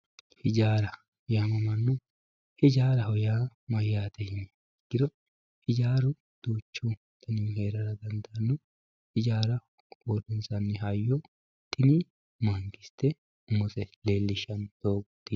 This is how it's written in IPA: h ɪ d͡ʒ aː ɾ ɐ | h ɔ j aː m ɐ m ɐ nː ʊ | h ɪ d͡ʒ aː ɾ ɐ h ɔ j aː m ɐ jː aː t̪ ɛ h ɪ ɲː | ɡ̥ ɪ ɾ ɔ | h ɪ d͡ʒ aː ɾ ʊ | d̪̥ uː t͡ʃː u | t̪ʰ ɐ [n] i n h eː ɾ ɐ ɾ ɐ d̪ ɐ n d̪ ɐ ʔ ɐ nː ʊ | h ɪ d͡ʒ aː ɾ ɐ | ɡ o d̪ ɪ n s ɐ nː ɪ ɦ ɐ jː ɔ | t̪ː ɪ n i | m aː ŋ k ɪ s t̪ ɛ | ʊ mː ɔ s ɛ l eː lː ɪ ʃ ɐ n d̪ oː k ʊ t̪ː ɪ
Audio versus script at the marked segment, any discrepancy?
no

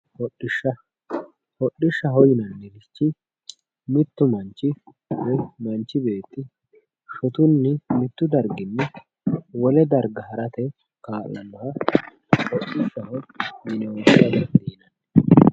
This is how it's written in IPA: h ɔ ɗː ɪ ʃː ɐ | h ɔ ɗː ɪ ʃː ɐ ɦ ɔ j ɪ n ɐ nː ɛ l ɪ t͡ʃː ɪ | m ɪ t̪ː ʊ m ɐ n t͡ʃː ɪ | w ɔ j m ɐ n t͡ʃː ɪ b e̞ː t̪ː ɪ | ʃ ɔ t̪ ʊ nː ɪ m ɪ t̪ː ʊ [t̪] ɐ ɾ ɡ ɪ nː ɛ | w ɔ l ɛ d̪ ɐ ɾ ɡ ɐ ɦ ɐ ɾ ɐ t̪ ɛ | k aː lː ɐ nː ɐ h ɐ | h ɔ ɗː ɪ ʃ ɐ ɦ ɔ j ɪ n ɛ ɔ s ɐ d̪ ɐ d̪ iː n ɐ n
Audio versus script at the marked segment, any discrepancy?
yes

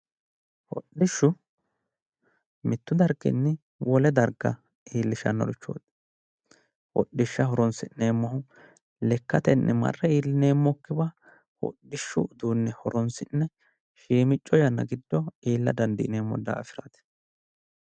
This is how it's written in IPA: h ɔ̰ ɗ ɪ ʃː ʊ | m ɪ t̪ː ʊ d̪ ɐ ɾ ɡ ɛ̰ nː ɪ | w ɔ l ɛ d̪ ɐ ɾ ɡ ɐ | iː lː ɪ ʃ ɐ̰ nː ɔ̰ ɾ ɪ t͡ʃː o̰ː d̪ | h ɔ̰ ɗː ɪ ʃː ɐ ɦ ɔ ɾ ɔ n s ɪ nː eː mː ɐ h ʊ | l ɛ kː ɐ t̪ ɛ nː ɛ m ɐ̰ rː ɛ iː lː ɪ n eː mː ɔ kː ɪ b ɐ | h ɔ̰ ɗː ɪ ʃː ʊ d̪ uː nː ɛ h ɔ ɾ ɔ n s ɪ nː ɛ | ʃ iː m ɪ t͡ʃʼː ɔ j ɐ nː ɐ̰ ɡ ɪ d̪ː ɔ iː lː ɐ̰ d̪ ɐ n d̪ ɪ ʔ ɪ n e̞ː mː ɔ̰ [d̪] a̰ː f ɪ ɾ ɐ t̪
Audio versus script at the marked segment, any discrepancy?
no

